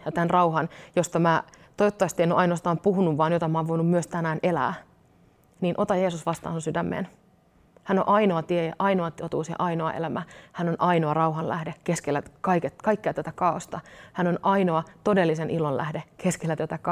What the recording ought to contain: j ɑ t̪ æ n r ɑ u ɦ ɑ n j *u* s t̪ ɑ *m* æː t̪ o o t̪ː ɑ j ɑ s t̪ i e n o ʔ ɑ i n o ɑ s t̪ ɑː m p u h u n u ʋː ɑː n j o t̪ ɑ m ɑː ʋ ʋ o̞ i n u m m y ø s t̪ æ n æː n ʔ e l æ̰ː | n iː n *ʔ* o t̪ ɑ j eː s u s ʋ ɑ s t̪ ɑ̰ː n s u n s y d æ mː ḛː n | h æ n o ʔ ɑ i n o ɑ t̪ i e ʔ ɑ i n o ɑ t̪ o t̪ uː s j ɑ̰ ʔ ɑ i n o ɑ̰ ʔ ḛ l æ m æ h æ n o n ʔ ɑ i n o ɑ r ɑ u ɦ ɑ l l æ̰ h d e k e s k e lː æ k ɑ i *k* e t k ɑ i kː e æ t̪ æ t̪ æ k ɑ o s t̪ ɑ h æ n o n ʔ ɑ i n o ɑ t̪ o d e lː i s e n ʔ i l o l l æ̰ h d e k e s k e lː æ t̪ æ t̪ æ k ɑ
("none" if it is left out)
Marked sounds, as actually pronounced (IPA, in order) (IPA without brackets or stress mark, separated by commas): o, m, ʔ, k